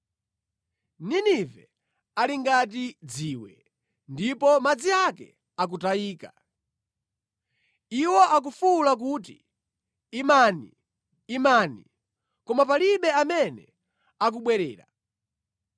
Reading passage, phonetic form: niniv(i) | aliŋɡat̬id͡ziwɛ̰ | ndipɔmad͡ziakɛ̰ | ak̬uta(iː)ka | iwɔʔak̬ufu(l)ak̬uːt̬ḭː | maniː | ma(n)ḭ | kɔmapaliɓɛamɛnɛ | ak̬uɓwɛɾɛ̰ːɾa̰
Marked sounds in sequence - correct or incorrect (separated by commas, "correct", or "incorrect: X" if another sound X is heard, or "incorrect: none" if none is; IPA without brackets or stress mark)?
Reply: incorrect: ɛ, correct, correct, correct